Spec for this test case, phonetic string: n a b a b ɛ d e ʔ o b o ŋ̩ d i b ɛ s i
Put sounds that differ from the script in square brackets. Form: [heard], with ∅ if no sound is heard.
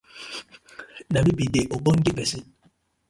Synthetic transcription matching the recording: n a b [i] b [i] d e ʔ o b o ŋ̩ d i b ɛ s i